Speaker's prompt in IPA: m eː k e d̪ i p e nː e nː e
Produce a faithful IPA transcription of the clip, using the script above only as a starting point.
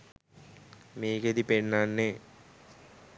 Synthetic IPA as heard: m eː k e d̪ i p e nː a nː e